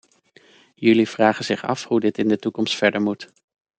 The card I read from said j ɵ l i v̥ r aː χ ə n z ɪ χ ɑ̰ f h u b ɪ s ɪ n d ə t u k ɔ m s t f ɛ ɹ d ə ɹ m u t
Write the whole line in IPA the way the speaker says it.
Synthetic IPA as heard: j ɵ l i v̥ r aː χ ə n z ɪ χ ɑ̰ f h u d ɪ t ɪ n d ə t u k ɔ m s t f ɛ ɹ d ə ɹ m u t